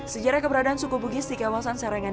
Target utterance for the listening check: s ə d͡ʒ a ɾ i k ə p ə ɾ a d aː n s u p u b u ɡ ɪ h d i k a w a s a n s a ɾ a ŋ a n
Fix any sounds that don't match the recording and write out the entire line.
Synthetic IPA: s ə d͡ʒ a ɾ a k ə b ə ɾ a d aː n s u k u b u ɡ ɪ s d i k a w a s a n s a ɾ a ŋ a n